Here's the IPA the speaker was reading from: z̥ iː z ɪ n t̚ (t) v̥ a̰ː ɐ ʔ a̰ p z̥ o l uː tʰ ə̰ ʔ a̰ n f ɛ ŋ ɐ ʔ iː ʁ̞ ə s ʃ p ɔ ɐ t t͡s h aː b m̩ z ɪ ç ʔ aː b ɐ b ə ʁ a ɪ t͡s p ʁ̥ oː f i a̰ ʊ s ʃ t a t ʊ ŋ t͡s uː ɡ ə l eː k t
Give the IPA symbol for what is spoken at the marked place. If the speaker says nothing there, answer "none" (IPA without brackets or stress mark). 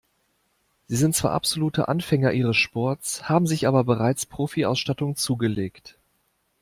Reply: t͡s